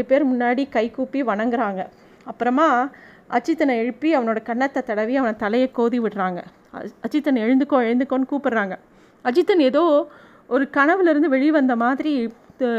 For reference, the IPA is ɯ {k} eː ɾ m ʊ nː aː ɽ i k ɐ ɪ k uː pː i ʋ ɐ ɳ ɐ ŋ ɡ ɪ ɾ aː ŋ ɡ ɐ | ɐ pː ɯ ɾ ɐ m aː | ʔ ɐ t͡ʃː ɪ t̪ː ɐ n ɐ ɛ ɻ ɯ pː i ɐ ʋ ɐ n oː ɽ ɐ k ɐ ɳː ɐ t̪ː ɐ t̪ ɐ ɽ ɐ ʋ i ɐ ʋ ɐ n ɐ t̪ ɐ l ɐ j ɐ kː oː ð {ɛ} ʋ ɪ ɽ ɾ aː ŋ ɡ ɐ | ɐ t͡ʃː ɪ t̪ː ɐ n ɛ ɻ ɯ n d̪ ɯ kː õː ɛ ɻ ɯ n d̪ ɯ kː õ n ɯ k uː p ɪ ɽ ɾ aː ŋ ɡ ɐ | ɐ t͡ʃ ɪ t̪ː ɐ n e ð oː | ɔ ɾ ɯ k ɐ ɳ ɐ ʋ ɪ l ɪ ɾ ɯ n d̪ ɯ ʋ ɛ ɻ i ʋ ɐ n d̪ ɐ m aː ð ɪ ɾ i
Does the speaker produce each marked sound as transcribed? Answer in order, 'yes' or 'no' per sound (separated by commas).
no, no